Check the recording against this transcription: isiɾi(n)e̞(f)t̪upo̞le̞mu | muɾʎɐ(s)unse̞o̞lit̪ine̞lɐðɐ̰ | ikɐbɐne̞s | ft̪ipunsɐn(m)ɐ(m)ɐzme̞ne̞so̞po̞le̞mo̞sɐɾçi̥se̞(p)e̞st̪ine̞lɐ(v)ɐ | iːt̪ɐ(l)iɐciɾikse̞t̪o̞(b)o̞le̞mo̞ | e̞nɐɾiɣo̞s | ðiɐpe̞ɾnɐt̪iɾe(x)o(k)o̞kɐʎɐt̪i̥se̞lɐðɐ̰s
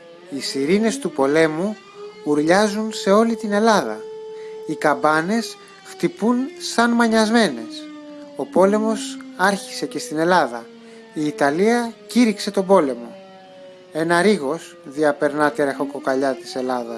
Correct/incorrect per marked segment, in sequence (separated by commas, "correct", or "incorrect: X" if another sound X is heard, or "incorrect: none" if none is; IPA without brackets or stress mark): correct, incorrect: s, incorrect: z, correct, incorrect: ɲ, incorrect: c, incorrect: ð, correct, correct, correct, correct